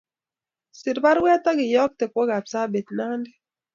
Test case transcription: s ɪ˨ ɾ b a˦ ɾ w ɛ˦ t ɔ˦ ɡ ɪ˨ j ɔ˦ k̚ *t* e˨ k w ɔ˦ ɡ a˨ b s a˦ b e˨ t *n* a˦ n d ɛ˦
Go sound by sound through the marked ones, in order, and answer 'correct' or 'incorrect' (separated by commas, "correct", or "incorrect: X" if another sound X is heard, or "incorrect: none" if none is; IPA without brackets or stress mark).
correct, correct